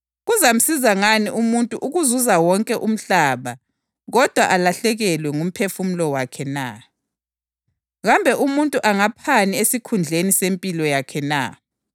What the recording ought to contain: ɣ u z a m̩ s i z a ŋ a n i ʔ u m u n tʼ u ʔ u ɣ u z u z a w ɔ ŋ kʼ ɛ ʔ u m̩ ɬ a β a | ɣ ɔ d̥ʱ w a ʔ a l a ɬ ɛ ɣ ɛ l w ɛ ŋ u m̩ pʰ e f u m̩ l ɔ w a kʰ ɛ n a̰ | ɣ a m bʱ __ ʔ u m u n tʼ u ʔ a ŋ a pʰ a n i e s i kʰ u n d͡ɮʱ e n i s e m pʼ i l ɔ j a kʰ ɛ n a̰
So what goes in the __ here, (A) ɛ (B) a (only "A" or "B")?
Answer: A